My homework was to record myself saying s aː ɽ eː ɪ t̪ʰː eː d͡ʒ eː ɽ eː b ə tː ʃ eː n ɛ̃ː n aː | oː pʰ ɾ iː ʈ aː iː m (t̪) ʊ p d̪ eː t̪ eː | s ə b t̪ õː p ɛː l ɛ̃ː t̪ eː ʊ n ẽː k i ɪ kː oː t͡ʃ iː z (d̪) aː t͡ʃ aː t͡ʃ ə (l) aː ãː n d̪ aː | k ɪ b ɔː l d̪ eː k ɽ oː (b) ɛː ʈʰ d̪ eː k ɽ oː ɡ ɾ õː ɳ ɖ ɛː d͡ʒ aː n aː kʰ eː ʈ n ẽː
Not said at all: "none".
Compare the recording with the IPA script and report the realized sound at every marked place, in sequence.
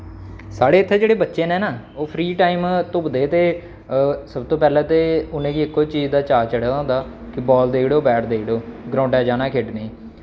t̪, d̪, ɽ, b

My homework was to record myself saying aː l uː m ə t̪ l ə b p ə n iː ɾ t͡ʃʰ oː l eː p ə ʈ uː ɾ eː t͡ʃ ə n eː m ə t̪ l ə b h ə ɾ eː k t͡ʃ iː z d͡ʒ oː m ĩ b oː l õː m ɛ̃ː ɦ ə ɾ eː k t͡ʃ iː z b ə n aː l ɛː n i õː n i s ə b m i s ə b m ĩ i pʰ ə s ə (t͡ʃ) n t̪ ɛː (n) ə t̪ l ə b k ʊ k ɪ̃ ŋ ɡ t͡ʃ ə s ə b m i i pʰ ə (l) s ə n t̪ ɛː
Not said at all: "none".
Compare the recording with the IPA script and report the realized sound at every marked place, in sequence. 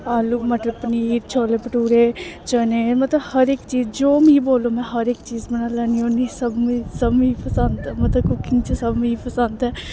none, m, none

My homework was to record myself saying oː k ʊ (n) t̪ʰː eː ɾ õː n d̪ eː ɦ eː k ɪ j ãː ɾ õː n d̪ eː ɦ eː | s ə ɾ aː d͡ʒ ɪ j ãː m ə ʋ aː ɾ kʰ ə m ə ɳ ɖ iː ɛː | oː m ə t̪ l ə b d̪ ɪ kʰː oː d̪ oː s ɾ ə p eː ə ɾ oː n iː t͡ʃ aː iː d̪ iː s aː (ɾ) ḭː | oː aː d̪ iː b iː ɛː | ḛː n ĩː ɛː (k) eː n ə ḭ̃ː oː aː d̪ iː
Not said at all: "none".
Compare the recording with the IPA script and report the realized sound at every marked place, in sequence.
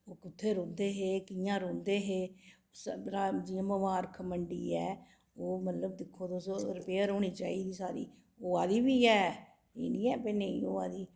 none, ɾ, p

